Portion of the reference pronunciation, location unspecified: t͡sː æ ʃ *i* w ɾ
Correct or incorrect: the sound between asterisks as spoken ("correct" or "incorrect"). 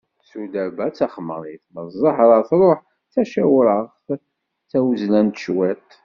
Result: incorrect